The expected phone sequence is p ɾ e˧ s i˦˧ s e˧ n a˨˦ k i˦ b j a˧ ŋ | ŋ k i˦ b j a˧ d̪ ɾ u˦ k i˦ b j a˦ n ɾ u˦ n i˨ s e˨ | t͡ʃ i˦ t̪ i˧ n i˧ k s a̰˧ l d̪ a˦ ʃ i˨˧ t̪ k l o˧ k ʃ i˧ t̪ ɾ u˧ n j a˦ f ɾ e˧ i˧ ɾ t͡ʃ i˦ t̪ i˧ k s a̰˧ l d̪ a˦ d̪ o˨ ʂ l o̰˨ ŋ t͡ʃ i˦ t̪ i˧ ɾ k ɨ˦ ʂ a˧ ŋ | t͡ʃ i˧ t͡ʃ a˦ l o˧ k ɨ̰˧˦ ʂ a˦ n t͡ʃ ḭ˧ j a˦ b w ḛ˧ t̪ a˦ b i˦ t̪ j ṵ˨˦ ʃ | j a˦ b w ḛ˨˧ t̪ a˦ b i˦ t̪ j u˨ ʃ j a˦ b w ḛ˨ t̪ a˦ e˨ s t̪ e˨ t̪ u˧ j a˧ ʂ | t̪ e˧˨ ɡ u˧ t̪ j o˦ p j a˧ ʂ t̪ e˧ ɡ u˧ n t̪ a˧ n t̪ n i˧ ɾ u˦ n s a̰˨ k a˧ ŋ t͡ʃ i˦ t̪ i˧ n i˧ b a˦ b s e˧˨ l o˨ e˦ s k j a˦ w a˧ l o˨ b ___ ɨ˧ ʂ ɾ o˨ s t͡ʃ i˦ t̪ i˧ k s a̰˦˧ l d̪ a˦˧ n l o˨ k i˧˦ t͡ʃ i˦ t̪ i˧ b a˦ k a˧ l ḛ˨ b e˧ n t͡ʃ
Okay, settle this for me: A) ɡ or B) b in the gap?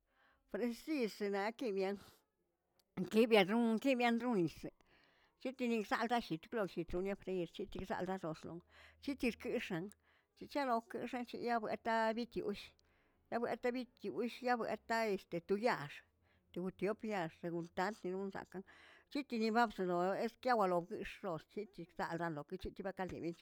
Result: A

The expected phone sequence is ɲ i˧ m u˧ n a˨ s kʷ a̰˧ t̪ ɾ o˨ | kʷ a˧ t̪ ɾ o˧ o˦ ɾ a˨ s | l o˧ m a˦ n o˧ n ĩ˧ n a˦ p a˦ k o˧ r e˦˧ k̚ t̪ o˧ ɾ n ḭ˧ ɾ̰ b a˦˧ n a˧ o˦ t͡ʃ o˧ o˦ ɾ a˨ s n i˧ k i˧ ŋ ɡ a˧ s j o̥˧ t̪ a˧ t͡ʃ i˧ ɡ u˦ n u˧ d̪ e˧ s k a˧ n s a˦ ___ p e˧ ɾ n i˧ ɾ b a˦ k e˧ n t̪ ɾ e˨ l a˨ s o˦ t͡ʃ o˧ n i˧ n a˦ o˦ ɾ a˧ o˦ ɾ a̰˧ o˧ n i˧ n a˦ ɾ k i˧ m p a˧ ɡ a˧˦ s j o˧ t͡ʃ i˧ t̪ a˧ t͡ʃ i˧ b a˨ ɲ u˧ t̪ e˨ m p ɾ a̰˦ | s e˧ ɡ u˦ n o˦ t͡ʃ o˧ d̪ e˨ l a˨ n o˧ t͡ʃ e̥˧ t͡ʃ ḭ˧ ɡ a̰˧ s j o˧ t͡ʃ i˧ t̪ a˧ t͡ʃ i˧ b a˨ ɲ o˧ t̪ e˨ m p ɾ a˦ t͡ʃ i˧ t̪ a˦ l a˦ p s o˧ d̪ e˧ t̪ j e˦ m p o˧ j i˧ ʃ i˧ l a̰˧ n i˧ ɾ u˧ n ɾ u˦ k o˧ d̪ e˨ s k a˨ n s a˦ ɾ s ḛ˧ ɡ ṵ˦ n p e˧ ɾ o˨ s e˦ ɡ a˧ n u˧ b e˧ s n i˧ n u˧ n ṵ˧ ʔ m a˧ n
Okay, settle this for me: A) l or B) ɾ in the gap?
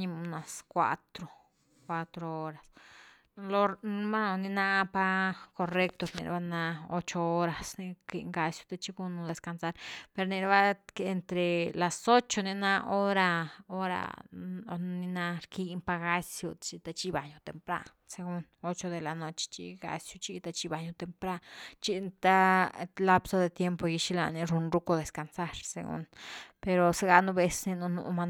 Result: B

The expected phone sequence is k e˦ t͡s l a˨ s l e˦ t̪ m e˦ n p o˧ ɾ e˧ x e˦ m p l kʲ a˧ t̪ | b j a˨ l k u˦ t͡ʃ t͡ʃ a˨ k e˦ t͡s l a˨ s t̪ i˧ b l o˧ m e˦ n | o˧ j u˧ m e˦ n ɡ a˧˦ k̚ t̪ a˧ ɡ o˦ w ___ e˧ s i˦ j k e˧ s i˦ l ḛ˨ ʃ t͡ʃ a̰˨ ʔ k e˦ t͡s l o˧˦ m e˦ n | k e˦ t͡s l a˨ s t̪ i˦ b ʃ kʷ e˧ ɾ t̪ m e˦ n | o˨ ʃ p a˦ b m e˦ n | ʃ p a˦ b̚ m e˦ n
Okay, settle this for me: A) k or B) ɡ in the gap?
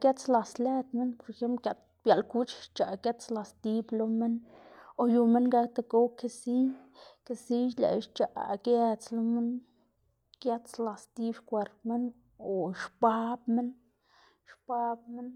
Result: A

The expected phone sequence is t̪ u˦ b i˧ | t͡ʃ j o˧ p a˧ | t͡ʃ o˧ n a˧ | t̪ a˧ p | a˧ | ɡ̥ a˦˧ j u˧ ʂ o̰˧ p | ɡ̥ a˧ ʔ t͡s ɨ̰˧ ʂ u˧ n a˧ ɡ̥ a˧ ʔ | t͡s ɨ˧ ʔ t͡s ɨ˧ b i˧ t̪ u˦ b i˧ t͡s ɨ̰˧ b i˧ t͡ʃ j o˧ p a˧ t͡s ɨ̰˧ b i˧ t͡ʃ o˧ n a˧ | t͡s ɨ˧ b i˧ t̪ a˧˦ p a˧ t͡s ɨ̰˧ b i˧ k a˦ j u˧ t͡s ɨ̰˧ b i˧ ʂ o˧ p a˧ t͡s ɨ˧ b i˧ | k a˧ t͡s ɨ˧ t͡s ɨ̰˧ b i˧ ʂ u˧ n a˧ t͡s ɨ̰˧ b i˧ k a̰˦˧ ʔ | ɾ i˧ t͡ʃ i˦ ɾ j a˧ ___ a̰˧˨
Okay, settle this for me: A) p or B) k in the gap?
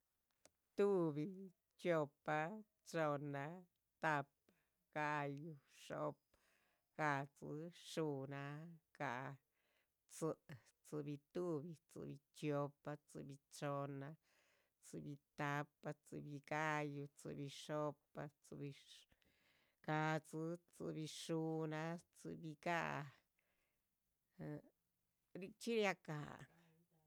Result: B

